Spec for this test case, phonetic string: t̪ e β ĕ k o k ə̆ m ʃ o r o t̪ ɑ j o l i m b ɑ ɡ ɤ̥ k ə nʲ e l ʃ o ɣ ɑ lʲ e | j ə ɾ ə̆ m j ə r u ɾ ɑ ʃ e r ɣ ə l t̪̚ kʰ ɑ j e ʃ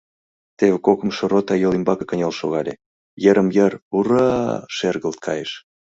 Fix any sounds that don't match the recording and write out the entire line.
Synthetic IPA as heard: t̪ e β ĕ k o k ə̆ m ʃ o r o t̪ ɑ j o l i m b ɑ k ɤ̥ k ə nʲ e l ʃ o ɣ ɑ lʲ e | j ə ɾ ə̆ m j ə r u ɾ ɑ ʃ e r ɣ ə l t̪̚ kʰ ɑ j e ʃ